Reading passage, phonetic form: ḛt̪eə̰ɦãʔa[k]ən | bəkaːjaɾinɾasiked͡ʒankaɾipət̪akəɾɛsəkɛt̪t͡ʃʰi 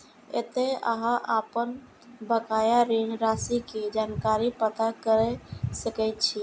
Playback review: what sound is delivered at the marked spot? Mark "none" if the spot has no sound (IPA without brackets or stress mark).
p